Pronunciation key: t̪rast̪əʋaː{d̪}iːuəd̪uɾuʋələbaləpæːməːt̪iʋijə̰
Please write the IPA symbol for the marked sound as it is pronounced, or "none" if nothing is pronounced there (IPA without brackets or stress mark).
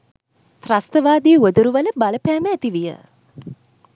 d̪